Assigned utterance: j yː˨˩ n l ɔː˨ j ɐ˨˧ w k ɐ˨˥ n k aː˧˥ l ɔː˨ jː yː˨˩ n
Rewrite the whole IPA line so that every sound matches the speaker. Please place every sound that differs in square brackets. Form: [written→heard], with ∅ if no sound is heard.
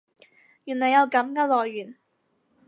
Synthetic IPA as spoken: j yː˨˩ n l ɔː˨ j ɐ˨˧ w k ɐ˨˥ [n→m] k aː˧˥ l ɔː˨ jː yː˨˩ n